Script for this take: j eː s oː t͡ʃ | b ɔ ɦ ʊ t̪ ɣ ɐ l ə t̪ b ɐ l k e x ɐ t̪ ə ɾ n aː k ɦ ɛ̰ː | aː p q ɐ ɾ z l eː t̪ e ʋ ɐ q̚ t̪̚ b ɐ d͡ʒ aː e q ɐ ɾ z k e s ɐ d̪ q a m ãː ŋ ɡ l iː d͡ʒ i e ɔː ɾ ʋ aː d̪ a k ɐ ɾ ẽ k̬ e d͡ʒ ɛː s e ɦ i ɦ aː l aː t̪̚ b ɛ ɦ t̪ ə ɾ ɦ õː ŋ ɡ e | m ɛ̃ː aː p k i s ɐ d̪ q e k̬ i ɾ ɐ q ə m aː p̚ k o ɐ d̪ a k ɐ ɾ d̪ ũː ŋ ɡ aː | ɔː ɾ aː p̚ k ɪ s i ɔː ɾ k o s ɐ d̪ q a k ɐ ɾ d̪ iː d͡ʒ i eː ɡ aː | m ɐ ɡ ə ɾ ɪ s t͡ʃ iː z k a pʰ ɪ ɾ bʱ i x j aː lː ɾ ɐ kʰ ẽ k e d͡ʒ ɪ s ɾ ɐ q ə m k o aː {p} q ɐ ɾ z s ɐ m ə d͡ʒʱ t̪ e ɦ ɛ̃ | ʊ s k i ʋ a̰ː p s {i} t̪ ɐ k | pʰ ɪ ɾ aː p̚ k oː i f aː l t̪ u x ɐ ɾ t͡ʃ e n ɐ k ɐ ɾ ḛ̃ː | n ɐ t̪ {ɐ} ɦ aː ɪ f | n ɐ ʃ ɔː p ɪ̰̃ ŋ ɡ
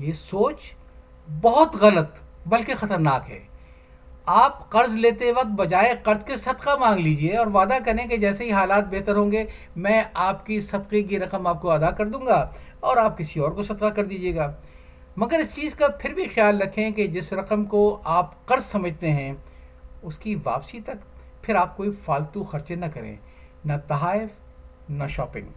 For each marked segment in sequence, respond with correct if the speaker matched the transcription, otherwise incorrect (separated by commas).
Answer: correct, correct, correct